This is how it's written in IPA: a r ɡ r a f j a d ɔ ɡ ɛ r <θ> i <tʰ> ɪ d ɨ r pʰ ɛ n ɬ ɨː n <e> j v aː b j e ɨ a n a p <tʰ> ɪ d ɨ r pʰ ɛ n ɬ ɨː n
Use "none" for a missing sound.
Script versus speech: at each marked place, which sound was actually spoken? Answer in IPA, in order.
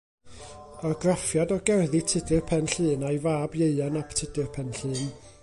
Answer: ð, tʰ, a, tʰ

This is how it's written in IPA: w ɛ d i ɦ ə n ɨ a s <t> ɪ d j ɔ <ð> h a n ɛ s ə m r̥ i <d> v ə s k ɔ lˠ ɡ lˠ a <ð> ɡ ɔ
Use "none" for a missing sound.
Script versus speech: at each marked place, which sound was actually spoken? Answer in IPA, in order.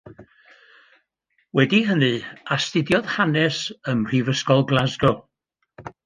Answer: t, ð, none, z

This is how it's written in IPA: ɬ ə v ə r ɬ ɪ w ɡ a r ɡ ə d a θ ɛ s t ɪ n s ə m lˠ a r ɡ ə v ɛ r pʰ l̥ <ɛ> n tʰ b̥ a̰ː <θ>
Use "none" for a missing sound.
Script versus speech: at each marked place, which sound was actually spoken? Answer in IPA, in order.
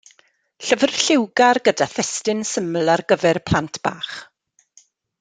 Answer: a, χ

